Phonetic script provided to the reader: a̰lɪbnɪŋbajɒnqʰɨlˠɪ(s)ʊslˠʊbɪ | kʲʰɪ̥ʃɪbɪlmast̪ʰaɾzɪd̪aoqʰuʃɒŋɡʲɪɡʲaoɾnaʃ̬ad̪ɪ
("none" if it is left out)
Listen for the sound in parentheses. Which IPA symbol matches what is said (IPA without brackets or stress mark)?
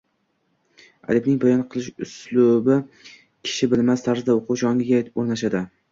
ʃ